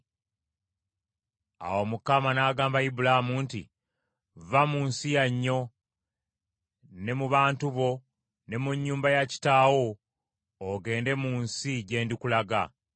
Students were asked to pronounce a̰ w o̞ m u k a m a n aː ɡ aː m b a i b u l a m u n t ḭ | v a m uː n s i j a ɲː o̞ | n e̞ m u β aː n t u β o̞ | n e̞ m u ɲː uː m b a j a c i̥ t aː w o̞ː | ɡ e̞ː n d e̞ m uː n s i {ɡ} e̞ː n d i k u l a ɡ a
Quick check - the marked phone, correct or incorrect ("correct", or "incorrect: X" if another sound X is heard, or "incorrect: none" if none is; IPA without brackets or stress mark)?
incorrect: ɟ